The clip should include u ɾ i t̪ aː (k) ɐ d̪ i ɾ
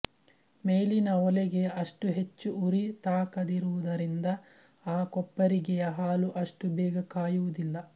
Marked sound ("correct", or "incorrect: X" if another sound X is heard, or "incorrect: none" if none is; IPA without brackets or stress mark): correct